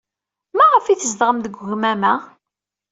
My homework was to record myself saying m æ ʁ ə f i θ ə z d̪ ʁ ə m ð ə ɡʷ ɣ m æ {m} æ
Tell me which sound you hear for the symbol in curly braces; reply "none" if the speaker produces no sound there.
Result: m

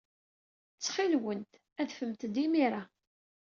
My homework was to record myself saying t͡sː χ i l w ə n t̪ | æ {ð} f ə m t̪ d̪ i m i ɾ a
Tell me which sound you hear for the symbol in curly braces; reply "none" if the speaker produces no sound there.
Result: ð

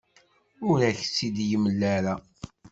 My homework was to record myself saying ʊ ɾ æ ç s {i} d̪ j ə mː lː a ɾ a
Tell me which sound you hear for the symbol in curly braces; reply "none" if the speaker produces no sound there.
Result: i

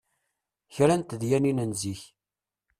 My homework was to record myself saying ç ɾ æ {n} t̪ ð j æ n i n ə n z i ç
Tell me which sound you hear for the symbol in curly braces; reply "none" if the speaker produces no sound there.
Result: n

